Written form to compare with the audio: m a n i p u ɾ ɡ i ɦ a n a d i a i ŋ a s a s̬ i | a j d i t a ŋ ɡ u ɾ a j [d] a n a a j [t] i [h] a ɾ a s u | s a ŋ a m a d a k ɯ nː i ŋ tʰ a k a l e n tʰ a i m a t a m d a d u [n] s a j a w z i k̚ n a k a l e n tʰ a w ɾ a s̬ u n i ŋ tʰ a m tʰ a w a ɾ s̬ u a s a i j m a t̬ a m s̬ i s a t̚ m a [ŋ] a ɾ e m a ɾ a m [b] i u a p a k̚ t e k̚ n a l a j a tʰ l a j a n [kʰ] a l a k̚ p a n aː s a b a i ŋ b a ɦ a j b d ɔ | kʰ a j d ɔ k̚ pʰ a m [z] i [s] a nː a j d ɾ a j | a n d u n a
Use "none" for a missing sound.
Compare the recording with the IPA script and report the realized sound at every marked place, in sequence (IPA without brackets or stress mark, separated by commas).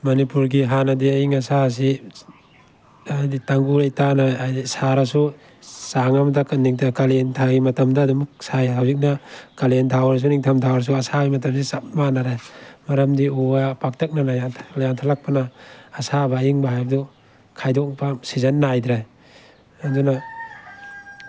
t, d, s, m, n, d, tʰ, s, z